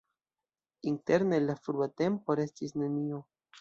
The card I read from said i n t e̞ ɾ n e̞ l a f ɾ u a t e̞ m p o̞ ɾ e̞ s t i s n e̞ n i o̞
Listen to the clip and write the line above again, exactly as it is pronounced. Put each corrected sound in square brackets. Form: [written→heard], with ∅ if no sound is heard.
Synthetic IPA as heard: i n t e̞ ɾ n e̞ l a f ɾ u a t e̞ m p o̞ ɾ e̞ s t i s n e̞ n i o̞